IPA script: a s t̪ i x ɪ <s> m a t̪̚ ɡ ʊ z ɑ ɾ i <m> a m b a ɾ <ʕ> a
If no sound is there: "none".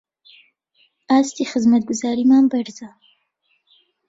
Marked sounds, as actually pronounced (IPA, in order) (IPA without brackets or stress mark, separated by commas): z, m, z